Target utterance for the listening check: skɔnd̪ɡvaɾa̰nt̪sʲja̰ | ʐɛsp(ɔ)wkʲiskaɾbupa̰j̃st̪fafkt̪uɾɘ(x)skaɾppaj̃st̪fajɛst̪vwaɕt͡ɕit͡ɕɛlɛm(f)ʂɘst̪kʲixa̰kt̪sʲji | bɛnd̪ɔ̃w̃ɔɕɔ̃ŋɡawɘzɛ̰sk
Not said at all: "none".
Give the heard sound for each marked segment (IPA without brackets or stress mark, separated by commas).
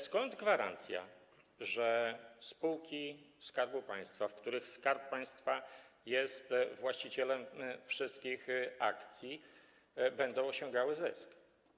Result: u, x, f